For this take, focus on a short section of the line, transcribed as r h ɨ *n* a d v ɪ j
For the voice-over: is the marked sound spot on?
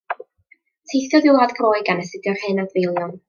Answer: yes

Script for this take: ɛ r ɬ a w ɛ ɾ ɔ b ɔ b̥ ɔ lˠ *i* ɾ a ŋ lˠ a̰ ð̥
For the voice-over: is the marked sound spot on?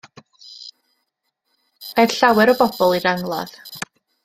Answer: yes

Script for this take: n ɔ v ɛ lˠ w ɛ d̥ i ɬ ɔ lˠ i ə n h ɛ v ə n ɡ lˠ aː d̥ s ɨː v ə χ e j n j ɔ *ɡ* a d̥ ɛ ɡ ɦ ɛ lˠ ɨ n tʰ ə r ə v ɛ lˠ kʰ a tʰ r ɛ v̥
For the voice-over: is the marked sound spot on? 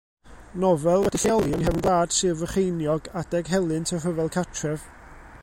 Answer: yes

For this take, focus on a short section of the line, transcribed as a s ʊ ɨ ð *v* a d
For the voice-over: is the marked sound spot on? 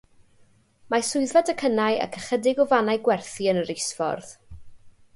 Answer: yes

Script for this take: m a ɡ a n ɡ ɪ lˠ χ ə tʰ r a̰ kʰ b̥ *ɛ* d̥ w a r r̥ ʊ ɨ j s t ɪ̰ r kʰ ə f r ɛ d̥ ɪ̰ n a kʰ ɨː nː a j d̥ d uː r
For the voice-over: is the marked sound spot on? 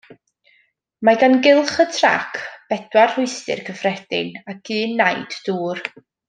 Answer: yes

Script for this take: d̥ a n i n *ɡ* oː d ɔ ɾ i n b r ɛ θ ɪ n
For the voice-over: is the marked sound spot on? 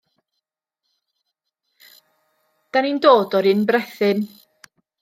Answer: no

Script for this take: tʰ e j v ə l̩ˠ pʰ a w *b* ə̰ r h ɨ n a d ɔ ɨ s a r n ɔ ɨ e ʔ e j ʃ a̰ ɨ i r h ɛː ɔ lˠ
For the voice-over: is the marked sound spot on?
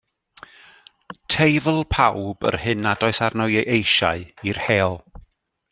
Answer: yes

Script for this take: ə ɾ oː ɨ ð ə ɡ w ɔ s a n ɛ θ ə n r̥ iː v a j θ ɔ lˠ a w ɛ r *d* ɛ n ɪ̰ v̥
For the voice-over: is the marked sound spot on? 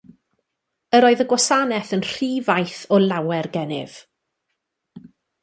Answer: no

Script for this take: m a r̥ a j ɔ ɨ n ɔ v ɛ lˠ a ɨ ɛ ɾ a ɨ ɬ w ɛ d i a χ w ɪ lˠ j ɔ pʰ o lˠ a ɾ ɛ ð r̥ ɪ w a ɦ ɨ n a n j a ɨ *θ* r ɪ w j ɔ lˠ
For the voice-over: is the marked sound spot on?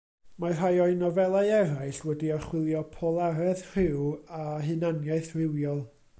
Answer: yes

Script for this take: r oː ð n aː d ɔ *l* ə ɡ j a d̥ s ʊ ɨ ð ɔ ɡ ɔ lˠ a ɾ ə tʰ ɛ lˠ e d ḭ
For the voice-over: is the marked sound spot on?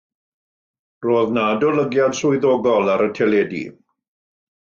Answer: yes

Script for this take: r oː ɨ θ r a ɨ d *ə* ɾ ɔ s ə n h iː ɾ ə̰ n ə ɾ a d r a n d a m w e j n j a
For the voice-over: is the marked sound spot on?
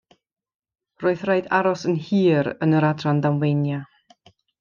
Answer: no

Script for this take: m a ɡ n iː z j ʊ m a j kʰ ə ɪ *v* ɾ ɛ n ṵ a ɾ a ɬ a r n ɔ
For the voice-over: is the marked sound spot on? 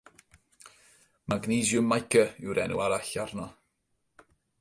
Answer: no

